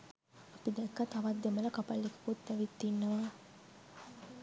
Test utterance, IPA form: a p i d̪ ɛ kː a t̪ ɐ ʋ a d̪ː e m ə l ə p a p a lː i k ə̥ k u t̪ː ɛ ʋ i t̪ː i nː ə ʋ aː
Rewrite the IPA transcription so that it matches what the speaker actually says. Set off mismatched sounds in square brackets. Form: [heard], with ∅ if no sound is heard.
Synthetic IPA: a p i d̪ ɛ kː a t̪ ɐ ʋ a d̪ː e m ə l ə [k] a p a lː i k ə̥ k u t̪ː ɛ ʋ i t̪ː i nː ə ʋ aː